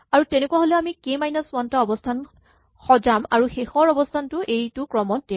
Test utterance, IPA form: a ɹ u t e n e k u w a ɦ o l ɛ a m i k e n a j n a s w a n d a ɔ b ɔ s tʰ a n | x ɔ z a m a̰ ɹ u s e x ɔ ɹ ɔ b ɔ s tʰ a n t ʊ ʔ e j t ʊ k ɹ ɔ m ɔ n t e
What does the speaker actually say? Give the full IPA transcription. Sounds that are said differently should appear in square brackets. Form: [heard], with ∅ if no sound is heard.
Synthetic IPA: a ɹ u t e n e k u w a ɦ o l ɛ a m i k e [m] a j n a s w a n [t] a ɔ b ɔ s tʰ a n | x ɔ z a m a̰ ɹ u [x] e x ɔ ɹ ɔ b ɔ s tʰ a n t ʊ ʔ e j t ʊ k ɹ ɔ m ɔ n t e